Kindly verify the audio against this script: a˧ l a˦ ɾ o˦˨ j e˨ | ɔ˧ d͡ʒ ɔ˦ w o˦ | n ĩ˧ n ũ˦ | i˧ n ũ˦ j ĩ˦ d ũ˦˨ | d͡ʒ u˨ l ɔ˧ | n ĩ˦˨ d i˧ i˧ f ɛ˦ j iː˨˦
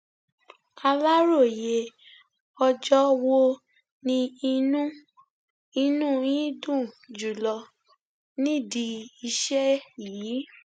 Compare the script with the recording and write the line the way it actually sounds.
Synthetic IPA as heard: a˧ l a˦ ɾ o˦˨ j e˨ | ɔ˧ d͡ʒ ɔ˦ w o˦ | n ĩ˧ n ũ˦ | i˧ n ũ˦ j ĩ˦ d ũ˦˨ | d͡ʒ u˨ l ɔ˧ | n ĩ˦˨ d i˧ i˧ ʃ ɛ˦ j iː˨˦